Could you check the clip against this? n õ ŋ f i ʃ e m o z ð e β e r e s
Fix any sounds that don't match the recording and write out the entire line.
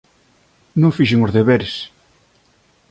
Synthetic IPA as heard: n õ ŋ f i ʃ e ŋ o z ð e β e ɾ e s